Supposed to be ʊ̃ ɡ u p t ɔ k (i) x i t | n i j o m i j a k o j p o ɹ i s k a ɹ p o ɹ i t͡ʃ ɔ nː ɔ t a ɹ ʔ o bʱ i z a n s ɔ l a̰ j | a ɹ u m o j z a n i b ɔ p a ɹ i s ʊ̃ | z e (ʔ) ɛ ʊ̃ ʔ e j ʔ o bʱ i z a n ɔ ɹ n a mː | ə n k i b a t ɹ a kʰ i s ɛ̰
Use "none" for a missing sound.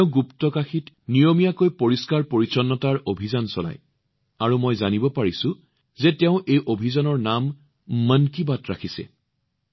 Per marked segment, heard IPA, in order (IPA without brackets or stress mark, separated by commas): a, t